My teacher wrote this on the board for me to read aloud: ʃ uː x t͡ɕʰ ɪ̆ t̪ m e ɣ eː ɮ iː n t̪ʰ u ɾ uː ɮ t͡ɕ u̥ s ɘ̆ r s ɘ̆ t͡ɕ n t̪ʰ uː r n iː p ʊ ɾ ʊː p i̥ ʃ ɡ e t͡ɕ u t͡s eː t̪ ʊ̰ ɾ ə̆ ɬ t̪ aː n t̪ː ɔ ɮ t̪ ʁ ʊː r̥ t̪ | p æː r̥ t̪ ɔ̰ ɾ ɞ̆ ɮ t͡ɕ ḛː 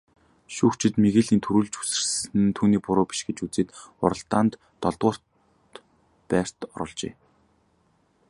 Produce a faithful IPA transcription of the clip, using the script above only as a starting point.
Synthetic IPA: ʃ uː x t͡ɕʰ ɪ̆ t̪ m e ɣ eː ɮ iː n t̪ʰ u ɾ uː ɮ t͡ɕ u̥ s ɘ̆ r s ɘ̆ n t̪ʰ uː n iː p ʊ ɾ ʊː p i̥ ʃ ɡ e t͡ɕ u t͡s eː t̪ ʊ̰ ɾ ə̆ ɬ t̪ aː n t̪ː ɔ ɮ t̪ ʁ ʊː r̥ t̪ | p æː r̥ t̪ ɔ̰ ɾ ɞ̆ ɮ t͡ɕ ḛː